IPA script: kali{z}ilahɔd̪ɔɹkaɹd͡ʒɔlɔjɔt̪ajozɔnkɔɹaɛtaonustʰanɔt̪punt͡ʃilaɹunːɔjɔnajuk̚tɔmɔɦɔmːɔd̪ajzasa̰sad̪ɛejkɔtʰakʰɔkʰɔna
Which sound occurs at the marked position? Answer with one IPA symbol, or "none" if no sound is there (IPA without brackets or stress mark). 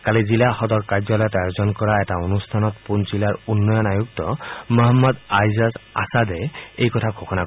z